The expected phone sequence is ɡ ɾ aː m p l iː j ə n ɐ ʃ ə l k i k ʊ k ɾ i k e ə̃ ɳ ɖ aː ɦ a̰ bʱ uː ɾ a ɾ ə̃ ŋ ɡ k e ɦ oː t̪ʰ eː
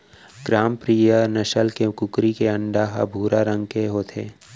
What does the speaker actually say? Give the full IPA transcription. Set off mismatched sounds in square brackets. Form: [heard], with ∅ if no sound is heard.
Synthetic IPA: ɡ ɾ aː m p [ɾ] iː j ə n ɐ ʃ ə l k [e] k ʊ k ɾ i k e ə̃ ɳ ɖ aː ɦ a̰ bʱ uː ɾ a ɾ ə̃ ŋ ɡ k e ɦ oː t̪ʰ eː